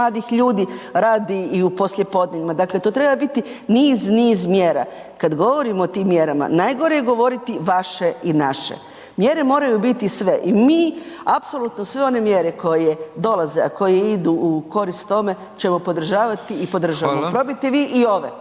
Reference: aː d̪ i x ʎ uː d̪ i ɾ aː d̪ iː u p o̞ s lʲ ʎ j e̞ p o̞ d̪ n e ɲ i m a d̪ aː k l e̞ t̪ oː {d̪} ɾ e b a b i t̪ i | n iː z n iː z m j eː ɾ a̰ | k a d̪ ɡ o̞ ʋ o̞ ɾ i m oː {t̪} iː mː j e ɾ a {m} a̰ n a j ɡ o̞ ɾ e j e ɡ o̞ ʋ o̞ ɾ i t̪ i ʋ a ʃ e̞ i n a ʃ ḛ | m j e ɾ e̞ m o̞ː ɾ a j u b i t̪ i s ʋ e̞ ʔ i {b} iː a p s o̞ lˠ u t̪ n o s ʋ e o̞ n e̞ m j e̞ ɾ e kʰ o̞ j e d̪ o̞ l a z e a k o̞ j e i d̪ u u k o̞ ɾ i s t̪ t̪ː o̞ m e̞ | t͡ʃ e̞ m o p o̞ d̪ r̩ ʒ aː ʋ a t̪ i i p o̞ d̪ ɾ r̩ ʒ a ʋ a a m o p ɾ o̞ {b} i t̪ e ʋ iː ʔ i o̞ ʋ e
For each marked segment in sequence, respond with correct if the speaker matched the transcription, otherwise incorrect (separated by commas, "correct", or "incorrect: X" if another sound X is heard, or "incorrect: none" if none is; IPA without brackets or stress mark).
incorrect: t̪, correct, correct, incorrect: m, correct